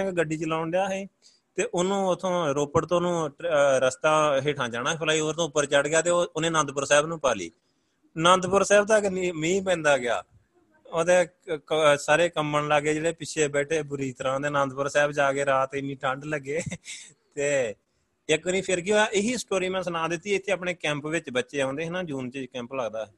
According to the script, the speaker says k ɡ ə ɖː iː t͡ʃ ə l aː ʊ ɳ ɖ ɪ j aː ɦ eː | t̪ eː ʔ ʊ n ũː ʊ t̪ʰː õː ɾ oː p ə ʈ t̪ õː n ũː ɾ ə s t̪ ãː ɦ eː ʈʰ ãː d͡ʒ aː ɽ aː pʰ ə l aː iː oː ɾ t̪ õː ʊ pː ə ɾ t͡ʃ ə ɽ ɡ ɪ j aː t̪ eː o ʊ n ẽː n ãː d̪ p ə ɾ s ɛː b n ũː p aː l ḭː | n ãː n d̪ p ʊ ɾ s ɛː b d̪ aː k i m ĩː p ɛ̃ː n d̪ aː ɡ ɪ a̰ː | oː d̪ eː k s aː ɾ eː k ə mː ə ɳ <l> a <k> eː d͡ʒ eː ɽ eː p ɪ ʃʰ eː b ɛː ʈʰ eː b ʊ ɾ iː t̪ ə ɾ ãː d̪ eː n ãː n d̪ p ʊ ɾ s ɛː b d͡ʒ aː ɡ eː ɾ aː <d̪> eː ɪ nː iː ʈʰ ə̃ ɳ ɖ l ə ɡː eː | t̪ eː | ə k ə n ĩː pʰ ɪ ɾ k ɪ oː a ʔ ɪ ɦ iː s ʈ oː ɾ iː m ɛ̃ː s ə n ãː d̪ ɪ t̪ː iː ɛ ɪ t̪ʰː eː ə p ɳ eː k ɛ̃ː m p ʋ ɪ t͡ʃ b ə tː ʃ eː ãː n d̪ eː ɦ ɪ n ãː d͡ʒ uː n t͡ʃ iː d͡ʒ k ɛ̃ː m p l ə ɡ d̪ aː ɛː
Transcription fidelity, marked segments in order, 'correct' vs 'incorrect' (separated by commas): correct, incorrect, incorrect